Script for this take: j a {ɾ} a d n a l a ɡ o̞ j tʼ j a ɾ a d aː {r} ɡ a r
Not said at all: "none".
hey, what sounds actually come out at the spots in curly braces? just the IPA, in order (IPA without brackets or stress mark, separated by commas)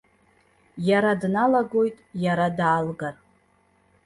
ɾ, l